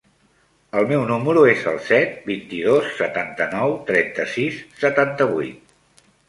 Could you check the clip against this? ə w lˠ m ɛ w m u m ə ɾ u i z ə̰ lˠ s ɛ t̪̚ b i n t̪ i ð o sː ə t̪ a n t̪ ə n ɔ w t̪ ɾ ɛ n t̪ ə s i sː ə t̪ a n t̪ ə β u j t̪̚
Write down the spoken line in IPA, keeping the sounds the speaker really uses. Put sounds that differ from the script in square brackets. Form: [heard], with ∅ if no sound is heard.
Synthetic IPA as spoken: ə [∅] lˠ m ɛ w [n] u m ə ɾ u [e] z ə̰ lˠ s ɛ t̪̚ b i n t̪ i ð o sː ə t̪ a n t̪ ə n ɔ w t̪ ɾ ɛ n t̪ ə s i sː ə t̪ a n t̪ ə β u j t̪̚